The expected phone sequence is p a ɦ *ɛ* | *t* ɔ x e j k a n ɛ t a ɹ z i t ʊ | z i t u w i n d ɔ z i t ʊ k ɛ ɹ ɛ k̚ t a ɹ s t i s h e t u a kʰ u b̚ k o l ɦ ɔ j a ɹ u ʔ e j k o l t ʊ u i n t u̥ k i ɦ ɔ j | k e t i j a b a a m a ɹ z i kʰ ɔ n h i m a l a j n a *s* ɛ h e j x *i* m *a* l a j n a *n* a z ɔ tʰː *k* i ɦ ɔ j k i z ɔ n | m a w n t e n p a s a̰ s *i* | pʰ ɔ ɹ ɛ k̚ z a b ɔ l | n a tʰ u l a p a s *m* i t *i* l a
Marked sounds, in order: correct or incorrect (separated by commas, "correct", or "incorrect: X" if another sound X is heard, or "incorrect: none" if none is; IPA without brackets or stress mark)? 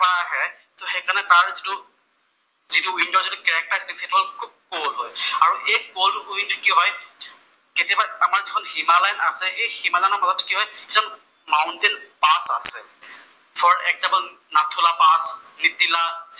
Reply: correct, correct, correct, correct, correct, incorrect: m, correct, incorrect: ɛ, incorrect: n, correct